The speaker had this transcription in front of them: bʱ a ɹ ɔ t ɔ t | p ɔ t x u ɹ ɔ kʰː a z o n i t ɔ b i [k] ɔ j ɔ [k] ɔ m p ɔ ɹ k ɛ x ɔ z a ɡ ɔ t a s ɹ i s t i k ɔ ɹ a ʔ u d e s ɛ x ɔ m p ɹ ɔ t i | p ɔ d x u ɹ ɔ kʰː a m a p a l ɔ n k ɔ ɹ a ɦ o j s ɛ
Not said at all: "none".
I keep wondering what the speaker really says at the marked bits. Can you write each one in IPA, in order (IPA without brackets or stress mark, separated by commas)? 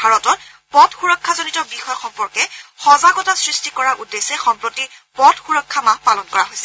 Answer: x, x